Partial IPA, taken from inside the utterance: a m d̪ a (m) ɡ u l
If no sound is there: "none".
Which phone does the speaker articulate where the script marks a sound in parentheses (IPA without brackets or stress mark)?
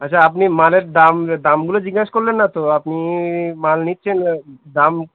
m